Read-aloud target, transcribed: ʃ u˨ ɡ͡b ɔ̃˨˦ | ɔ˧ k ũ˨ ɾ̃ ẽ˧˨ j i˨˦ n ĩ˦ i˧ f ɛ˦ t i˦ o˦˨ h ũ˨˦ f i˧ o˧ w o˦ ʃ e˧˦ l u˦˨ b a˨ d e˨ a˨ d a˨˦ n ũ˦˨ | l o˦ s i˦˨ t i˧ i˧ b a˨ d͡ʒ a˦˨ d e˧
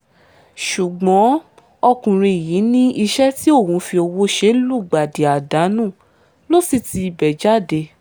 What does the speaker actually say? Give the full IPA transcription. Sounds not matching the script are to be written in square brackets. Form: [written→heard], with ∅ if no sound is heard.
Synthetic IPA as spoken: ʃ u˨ ɡ͡b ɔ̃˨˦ | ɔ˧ k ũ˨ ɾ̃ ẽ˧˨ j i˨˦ n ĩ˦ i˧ [f→ʃ] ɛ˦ t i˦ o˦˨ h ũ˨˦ f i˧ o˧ w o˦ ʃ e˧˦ l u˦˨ [b→ɡ͡b] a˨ d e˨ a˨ d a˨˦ n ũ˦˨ | l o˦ s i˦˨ t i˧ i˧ b [a˨→ɛ˨] d͡ʒ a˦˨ d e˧